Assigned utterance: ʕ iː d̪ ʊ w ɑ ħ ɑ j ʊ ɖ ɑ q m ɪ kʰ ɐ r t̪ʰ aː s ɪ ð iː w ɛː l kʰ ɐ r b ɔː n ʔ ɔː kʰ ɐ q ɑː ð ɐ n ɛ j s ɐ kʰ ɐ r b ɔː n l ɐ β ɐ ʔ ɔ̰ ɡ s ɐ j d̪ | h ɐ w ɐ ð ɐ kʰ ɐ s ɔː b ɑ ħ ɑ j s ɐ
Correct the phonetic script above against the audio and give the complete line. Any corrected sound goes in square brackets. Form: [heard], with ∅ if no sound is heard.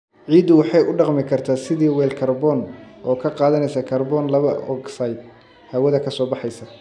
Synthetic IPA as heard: ʕ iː d̪ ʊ w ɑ ħ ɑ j ʊ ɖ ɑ q m ɪ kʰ ɐ r t̪ʰ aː s ɪ ð iː w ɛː l kʰ ɐ r b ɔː n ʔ ɔː kʰ ɐ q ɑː ð ɐ n ɛ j s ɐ kʰ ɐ r b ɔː n l ɐ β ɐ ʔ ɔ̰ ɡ s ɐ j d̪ | h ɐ w ɐ ð ɐ kʰ ɐ s ɔː b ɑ ħ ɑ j s ɐ